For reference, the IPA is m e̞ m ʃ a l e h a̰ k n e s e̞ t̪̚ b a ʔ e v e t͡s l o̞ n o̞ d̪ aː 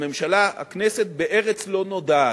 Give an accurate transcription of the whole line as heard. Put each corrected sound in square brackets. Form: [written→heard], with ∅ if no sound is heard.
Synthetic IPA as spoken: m e̞ m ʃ a l [e→a] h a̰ k n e s e̞ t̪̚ b [a→e] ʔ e [v→ʁ] e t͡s l o̞ n o̞ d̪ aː